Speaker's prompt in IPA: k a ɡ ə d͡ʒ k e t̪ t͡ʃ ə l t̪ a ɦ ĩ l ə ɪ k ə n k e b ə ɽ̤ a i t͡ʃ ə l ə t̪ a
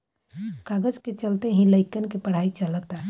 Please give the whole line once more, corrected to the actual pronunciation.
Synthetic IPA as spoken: k a ɡ ə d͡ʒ k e t͡ʃ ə l t̪ e ɦ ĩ l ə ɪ k ə n k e p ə ɽ̤ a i t͡ʃ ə l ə t̪ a